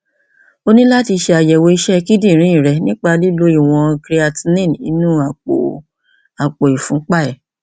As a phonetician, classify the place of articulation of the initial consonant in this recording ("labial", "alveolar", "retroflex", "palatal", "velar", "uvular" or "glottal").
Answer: alveolar